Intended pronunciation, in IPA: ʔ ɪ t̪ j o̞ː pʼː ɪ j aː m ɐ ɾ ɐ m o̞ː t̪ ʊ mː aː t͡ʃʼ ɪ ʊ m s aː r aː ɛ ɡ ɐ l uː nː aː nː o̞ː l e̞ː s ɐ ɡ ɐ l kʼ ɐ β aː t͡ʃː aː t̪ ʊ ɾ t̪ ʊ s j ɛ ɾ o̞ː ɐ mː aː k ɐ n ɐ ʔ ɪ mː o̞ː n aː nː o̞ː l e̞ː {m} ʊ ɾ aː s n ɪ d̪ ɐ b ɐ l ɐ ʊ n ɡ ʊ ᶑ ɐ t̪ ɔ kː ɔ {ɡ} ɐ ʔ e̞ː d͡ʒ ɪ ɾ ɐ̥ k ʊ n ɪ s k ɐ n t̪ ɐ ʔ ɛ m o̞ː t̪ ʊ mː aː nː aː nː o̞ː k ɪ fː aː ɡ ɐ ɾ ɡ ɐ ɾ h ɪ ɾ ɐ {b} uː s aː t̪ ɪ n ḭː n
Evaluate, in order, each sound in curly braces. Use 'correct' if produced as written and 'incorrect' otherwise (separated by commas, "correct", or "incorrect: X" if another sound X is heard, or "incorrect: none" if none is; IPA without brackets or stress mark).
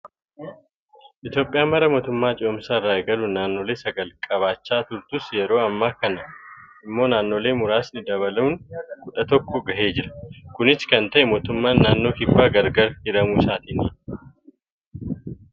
correct, correct, incorrect: m